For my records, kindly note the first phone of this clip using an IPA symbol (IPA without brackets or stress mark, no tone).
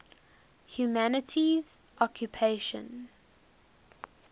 h